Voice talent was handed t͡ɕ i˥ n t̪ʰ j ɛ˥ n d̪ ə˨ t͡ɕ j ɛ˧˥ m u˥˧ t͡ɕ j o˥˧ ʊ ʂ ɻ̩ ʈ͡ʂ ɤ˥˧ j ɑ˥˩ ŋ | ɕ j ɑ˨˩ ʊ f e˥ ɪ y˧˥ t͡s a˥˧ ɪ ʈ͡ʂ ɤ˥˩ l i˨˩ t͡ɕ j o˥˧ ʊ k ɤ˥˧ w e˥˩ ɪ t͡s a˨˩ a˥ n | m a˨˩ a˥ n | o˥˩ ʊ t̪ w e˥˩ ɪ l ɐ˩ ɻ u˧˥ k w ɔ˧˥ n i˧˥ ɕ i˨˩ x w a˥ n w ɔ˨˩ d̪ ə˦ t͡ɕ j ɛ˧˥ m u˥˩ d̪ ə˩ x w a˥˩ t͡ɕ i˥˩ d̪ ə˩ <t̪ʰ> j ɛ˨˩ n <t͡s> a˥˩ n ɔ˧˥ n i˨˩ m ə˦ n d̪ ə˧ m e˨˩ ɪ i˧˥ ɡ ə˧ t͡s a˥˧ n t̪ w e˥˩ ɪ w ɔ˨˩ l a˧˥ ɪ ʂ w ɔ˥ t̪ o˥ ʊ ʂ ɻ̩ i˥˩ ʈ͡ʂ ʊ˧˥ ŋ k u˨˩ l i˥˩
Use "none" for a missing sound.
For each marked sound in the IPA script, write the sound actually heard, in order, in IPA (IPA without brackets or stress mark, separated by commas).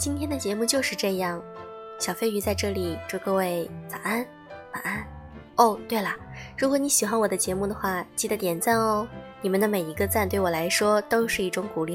t̪, t͡s